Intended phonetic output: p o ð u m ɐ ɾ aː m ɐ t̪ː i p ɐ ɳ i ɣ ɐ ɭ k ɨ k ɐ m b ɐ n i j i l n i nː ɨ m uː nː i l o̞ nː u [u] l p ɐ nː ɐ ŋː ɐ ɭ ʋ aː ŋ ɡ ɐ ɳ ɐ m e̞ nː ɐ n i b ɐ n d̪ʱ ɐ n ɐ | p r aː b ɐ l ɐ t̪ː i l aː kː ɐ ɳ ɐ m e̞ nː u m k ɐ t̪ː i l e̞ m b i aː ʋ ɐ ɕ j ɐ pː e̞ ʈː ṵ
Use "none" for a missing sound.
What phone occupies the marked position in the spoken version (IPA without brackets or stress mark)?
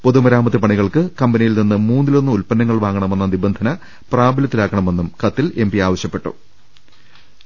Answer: u